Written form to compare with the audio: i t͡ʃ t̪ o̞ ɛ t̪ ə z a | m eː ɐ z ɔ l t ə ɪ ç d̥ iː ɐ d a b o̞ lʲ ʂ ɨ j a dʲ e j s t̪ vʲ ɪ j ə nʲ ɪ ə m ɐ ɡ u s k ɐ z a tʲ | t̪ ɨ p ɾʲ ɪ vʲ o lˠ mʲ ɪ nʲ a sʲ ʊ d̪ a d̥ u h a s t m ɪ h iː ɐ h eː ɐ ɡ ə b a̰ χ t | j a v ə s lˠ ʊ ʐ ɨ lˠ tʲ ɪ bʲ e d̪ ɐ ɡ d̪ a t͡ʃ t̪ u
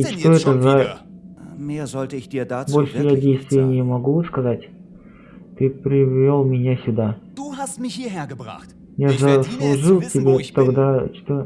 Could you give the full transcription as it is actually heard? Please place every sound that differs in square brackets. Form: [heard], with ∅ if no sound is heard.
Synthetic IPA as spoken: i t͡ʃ t̪ o̞ ɛ t̪ ə z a | m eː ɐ z ɔ l t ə ɪ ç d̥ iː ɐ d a b o̞ lʲ ʂ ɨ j a dʲ e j s t̪ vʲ ɪ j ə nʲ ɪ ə m ɐ ɡ u s k ɐ z a tʲ | t̪ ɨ p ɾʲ ɪ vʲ o lˠ mʲ ɪ nʲ a sʲ ʊ d̪ a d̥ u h a s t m ɪ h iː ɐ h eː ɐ ɡ ə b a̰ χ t | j a [z] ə s lˠ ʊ ʐ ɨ lˠ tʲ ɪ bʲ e [t̪] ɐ ɡ d̪ a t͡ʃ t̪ [o]